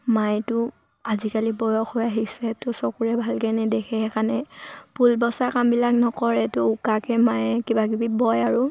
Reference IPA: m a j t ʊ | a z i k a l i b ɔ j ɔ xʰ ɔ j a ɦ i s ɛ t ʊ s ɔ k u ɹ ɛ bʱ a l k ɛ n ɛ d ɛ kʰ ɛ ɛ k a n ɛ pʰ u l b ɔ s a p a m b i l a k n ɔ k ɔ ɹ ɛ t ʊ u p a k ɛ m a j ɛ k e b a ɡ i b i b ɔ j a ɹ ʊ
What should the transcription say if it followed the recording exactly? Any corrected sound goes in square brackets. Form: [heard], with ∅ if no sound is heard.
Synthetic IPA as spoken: m a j t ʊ | a z i k a l i b ɔ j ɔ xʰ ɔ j a ɦ i s ɛ t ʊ s ɔ k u ɹ ɛ bʱ a l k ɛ n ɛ d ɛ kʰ ɛ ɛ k a n ɛ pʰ u l b ɔ s a [k] a m b i l a k n ɔ k ɔ ɹ ɛ t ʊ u [k] a k ɛ m a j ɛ k [i] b a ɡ i b i b ɔ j a ɹ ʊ